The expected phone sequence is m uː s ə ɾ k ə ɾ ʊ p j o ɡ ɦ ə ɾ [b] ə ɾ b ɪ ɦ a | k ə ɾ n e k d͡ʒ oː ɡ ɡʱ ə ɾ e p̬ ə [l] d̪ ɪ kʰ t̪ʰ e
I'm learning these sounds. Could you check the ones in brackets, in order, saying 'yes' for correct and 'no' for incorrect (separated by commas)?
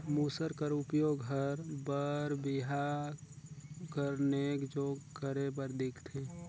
yes, no